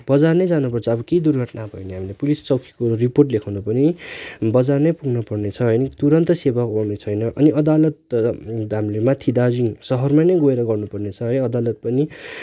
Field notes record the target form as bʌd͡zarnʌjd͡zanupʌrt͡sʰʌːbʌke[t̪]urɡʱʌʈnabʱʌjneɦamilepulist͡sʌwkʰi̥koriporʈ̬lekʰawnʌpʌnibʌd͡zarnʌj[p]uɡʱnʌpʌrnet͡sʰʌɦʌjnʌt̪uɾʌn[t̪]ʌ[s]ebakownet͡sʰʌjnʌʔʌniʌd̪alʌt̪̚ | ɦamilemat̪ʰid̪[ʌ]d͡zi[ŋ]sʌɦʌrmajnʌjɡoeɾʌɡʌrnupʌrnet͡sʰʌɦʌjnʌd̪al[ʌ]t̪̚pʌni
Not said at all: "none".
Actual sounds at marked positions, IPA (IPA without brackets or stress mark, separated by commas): d̪, p, t̪, s, a, ŋ, ʌ